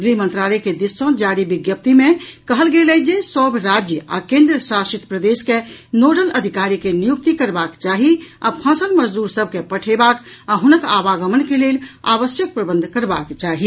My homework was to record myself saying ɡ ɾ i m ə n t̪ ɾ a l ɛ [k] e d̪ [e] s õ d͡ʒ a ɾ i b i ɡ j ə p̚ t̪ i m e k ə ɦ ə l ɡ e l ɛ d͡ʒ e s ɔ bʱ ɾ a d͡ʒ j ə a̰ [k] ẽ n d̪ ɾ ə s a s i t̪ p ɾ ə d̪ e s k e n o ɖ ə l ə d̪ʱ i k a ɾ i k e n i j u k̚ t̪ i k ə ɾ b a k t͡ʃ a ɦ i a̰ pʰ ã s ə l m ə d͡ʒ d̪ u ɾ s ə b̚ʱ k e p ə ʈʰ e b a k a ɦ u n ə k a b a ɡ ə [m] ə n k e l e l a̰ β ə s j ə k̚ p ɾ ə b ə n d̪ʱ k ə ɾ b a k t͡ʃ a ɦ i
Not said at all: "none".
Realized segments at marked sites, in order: k, i, k, m

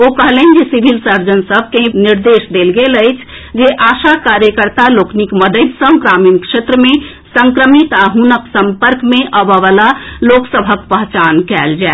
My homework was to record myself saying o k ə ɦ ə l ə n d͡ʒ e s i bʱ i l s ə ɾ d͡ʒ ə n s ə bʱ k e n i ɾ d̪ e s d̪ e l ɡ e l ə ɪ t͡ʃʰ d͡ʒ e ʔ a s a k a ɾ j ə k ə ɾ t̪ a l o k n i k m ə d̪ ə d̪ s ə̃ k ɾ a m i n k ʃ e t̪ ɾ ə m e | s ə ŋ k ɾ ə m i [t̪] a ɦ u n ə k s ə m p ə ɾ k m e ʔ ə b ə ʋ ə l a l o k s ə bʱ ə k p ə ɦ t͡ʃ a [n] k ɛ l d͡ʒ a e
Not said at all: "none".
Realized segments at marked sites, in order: t̪, n

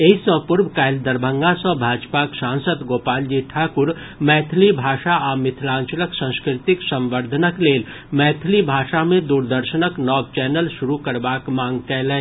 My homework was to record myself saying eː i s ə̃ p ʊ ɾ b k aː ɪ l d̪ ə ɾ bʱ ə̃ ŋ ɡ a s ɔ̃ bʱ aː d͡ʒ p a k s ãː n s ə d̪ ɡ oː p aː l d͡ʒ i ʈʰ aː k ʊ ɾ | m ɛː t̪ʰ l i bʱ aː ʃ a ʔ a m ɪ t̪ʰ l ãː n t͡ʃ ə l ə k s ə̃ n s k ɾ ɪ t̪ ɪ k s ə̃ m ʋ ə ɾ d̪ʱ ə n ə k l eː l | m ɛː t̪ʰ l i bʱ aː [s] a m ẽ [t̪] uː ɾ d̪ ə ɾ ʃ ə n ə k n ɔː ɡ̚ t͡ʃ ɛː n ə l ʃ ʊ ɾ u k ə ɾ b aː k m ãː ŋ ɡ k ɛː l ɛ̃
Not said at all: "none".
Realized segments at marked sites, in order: ʃ, d̪

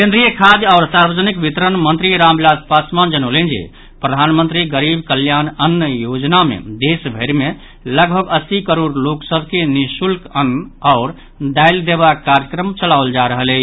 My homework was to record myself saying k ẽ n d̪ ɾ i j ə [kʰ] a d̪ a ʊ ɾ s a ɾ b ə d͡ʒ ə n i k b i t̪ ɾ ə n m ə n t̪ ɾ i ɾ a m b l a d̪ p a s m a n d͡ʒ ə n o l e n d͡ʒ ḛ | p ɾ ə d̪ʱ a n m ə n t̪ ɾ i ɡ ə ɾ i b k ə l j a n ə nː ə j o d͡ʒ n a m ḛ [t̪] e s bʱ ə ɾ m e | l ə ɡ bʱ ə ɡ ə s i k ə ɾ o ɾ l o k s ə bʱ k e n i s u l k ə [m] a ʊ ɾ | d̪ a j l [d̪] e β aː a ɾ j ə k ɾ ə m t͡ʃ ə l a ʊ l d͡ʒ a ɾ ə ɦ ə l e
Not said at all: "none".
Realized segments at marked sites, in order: kʰ, d̪, n, d̪

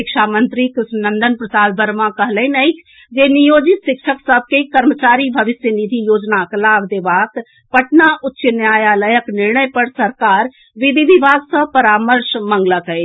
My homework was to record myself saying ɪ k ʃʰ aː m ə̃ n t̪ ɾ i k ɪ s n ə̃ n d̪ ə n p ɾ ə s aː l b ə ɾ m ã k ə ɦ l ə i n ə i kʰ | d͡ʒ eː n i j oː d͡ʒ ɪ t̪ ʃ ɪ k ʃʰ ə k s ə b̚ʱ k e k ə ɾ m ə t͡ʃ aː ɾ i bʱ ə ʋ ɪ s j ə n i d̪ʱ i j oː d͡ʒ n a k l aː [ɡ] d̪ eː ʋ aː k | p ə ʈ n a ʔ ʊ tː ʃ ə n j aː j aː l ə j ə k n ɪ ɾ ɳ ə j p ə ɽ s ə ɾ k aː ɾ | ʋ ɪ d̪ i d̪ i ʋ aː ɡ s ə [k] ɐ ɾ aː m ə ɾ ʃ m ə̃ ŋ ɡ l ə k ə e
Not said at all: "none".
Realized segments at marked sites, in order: b, p

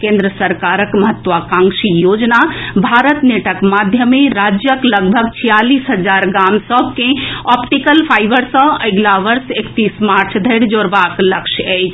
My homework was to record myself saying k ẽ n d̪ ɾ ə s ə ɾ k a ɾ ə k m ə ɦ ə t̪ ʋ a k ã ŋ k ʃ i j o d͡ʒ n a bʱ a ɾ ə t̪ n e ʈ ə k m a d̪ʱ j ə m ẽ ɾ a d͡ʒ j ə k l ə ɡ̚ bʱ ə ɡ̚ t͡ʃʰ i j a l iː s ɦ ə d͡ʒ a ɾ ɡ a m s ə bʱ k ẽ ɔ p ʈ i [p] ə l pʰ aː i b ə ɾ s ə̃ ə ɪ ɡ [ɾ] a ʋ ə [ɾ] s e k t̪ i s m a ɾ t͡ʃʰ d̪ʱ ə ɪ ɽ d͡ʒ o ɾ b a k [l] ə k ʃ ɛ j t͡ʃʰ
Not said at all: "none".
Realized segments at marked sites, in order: k, l, ɾ, l

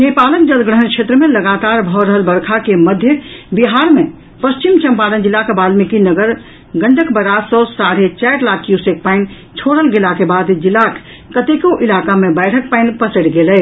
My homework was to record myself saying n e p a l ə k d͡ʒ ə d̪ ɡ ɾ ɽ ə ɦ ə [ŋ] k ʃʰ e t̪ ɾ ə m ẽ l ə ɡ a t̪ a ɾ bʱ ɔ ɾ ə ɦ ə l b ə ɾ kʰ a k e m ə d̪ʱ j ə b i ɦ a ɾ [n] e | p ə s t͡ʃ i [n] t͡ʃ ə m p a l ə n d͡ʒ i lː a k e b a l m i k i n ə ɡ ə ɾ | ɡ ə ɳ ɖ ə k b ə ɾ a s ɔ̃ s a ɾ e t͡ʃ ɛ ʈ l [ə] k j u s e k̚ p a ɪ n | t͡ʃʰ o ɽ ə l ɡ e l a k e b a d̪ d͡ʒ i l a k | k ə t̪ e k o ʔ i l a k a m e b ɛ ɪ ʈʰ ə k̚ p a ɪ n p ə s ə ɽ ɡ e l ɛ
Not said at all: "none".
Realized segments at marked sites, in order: n, m, m, a

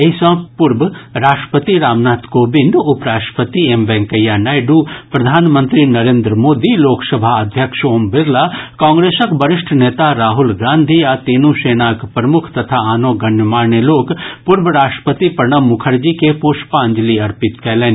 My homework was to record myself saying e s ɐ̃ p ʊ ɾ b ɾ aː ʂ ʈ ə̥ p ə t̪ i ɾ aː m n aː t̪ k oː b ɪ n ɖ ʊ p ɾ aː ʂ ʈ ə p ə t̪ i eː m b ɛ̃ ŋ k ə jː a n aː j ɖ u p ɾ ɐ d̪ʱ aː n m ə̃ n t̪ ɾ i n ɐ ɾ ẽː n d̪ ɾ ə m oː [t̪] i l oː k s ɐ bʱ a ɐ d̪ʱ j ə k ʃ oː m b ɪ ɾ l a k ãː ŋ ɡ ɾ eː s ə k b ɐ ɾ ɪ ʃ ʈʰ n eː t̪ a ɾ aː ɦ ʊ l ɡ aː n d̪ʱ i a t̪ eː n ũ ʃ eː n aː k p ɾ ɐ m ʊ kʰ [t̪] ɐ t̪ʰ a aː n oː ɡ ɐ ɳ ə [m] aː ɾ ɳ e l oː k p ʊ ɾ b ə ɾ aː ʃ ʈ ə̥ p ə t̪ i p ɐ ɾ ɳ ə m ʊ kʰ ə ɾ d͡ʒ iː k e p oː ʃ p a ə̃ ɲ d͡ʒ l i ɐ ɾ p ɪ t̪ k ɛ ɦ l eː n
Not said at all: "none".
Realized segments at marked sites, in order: d̪, t̪, m

